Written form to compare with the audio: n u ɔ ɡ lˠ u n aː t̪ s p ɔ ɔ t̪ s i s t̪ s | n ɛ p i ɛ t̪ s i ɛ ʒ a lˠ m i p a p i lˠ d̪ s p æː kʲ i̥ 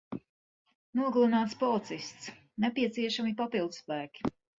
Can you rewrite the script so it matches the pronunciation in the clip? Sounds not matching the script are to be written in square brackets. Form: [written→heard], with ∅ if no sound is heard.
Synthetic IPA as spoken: n u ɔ ɡ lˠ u n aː t̪ s p ɔ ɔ t̪ s i s t̪ s | n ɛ p i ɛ t̪ s i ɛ [ʒ→ʃ] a [lˠ→∅] m i p a p i lˠ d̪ s p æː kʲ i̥